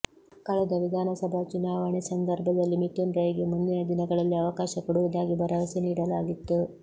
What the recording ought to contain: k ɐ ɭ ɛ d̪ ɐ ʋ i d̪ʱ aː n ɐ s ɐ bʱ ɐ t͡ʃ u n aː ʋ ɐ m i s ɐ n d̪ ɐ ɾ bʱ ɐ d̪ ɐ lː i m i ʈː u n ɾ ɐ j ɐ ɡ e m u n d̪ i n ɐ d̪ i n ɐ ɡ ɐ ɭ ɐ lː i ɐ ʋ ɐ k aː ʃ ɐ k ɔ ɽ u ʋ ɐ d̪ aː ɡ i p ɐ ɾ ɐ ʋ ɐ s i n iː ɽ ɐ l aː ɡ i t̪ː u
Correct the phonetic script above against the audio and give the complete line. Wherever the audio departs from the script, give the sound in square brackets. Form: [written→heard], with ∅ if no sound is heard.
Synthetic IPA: k ɐ ɭ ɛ d̪ ɐ ʋ i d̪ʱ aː n ɐ s ɐ bʱ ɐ t͡ʃ u n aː ʋ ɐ [m→ɳ] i s ɐ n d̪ ɐ ɾ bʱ ɐ d̪ ɐ lː i m i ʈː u n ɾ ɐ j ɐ ɡ e m u n d̪ i n ɐ d̪ i n ɐ ɡ ɐ ɭ ɐ lː i ɐ ʋ ɐ k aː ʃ ɐ k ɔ ɽ u ʋ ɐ d̪ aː ɡ i [p→b] ɐ ɾ ɐ ʋ ɐ s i n iː ɽ ɐ l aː ɡ i t̪ː u

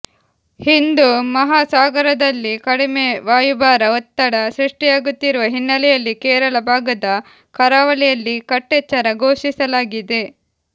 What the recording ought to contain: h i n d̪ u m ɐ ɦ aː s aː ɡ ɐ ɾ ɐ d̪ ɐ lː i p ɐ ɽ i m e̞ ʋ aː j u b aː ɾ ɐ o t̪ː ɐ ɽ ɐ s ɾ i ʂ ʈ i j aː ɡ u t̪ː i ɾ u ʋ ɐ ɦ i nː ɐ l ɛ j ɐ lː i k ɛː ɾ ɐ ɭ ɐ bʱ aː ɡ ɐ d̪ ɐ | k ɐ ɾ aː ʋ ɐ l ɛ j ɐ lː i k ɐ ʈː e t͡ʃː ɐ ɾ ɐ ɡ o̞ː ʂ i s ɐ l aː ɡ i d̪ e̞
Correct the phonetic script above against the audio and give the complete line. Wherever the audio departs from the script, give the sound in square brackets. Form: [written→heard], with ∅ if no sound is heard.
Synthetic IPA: h i n d̪ u m ɐ ɦ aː s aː ɡ ɐ ɾ ɐ d̪ ɐ lː i [p→k] ɐ ɽ i m e̞ ʋ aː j u b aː ɾ ɐ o t̪ː ɐ ɽ ɐ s ɾ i ʂ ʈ i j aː ɡ u t̪ː i ɾ u ʋ ɐ ɦ i nː ɐ l ɛ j ɐ lː i k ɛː ɾ ɐ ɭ ɐ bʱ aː ɡ ɐ d̪ ɐ | k ɐ ɾ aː ʋ ɐ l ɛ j ɐ lː i k ɐ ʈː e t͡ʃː ɐ ɾ ɐ ɡ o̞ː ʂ i s ɐ l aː ɡ i d̪ e̞

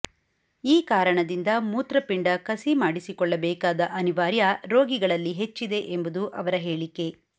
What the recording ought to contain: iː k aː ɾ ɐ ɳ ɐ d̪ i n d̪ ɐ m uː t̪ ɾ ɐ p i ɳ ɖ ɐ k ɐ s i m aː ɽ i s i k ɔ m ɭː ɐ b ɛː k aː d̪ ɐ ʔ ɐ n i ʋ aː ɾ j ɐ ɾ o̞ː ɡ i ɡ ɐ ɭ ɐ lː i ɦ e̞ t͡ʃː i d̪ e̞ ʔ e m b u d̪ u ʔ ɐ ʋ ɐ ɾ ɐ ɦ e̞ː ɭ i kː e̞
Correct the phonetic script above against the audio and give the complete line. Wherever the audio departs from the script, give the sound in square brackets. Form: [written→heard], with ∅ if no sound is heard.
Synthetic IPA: iː k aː ɾ ɐ ɳ ɐ d̪ i n d̪ ɐ m uː t̪ ɾ ɐ p i ɳ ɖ ɐ k ɐ s i m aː ɽ i s i k ɔ [m→∅] ɭː ɐ b ɛː k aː d̪ ɐ ʔ ɐ n i ʋ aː ɾ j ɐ ɾ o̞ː ɡ i ɡ ɐ ɭ ɐ lː i ɦ e̞ t͡ʃː i d̪ e̞ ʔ e m b u d̪ u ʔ ɐ ʋ ɐ ɾ ɐ ɦ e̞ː ɭ i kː e̞

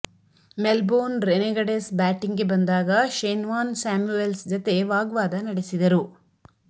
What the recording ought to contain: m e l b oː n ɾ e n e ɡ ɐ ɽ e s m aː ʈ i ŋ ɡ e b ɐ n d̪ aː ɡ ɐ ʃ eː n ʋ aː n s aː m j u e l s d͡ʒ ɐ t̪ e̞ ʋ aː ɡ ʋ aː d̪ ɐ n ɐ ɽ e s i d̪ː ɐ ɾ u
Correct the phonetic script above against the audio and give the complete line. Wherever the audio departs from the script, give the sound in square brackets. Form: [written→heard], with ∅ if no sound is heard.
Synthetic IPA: m e l b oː n ɾ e n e ɡ ɐ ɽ e s [m→b] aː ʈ i ŋ ɡ e b ɐ n d̪ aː ɡ ɐ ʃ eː n ʋ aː n s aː m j u e l s d͡ʒ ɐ t̪ e̞ ʋ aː ɡ ʋ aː d̪ ɐ n ɐ ɽ e s i [d̪ː→d̪] ɐ ɾ u

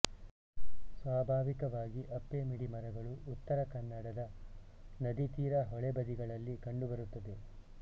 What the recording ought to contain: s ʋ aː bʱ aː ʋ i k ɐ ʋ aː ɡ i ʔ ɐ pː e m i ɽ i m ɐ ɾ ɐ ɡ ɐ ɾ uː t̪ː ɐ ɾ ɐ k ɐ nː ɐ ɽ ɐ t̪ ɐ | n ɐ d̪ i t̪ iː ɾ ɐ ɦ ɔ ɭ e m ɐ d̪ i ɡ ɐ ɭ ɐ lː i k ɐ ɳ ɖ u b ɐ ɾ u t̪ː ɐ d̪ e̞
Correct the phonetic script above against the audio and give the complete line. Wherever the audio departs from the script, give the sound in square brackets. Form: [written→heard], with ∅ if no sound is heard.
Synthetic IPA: s ʋ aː bʱ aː ʋ i k ɐ ʋ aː ɡ i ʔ ɐ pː e m i ɽ i m ɐ ɾ ɐ ɡ ɐ [ɾ→ɭ] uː t̪ː ɐ ɾ ɐ k ɐ nː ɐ ɽ ɐ [t̪→d̪] ɐ | n ɐ d̪ i t̪ iː ɾ ɐ ɦ ɔ ɭ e [m→b] ɐ d̪ i ɡ ɐ ɭ ɐ lː i k ɐ ɳ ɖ u b ɐ ɾ u t̪ː ɐ d̪ e̞

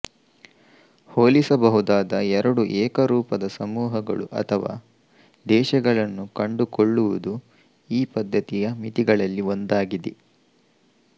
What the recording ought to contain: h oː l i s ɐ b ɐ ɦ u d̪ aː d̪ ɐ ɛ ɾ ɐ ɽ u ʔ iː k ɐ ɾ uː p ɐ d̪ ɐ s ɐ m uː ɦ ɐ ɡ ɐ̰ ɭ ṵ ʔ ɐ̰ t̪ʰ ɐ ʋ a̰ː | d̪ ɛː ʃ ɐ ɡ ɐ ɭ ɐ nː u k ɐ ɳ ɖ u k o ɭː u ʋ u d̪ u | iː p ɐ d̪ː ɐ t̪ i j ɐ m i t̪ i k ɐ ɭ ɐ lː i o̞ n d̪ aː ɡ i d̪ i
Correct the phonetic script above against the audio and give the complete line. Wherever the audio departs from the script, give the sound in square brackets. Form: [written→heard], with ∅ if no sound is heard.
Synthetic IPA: h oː l i s ɐ b ɐ ɦ u d̪ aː d̪ ɐ ɛ ɾ ɐ ɽ u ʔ [iː→ɛː] k ɐ ɾ uː p ɐ d̪ ɐ s ɐ m uː ɦ ɐ ɡ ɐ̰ ɭ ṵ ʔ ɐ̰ t̪ʰ ɐ ʋ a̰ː | d̪ ɛː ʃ ɐ ɡ ɐ ɭ ɐ nː u k ɐ ɳ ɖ u k o ɭː u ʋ u d̪ u | iː p ɐ d̪ː ɐ t̪ i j ɐ m i t̪ i [k→ɡ] ɐ ɭ ɐ lː i o̞ n d̪ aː ɡ i d̪ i

